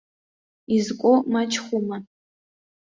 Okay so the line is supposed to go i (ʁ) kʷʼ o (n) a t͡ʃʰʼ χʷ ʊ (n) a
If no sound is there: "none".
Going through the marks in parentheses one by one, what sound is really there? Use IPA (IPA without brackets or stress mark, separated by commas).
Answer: z, m, m